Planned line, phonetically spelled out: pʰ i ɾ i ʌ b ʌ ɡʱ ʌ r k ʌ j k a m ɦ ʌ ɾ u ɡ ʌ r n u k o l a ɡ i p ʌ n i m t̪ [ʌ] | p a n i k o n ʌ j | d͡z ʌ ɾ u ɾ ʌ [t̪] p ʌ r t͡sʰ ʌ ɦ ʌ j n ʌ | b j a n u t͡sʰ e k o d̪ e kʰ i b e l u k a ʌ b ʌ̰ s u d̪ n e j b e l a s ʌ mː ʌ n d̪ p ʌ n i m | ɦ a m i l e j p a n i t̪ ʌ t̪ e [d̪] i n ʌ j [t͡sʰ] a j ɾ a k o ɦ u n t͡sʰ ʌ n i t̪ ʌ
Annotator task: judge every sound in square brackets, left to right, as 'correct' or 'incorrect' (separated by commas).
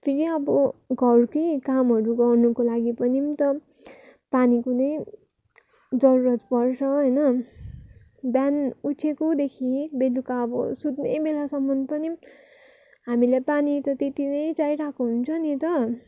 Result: correct, correct, incorrect, incorrect